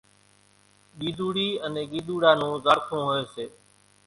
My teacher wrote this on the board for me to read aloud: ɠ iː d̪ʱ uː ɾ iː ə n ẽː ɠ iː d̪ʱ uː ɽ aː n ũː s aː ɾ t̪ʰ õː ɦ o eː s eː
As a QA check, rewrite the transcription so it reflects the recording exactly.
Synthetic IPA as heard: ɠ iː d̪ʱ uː ɽ iː ə n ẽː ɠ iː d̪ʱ uː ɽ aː n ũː z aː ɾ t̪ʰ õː ɦ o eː s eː